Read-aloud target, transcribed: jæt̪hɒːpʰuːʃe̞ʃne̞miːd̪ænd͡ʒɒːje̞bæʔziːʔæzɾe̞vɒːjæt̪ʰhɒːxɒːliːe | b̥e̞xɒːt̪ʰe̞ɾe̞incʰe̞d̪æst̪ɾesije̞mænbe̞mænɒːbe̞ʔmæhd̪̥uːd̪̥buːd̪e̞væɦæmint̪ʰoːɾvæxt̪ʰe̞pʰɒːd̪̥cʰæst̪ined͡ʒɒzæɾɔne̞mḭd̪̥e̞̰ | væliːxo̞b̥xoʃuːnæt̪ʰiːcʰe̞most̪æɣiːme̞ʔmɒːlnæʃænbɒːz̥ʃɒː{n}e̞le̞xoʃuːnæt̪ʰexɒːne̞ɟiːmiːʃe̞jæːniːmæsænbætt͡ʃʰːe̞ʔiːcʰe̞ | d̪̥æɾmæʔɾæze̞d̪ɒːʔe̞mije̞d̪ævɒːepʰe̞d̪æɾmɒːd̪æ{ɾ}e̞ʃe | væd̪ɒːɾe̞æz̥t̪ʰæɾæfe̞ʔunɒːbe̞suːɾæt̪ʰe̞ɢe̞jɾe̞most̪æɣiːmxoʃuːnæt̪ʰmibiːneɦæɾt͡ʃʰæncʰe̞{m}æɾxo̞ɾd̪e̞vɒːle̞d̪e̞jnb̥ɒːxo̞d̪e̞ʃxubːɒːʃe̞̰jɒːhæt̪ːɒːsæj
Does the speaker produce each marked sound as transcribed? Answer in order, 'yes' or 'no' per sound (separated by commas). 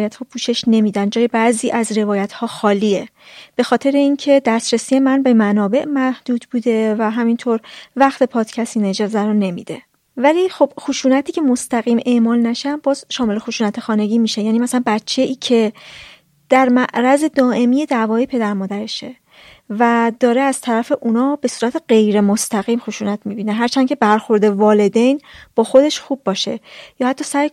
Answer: no, yes, no